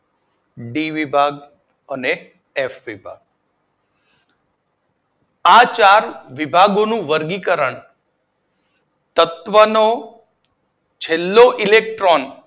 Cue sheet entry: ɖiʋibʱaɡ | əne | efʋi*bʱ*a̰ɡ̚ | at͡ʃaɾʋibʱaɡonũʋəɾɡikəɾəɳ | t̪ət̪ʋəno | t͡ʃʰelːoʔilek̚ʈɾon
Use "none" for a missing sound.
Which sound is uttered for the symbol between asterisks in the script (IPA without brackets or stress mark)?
bʱ